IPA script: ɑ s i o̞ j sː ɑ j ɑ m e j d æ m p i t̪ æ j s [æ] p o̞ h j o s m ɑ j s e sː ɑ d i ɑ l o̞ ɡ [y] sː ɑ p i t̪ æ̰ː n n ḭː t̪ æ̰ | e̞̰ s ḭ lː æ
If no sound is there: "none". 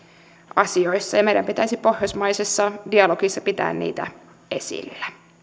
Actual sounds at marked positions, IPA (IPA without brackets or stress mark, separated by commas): i, i